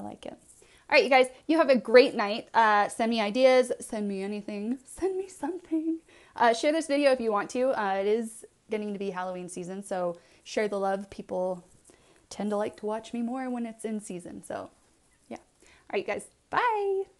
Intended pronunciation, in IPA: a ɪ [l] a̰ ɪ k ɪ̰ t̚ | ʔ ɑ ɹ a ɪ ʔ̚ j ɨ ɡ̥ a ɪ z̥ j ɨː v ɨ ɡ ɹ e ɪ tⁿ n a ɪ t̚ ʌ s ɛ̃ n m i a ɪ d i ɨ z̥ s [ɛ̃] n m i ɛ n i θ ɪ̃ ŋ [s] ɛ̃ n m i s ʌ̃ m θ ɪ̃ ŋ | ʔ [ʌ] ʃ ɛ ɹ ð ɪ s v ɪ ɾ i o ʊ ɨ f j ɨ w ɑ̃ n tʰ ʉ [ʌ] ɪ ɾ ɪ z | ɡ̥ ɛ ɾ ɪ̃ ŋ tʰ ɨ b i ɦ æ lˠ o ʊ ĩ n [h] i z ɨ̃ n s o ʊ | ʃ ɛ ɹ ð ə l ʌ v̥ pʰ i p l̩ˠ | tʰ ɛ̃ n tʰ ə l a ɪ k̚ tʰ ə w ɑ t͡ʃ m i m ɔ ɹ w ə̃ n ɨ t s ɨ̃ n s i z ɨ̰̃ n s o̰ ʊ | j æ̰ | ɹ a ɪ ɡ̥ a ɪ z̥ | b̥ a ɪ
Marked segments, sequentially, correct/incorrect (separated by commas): correct, correct, correct, correct, correct, incorrect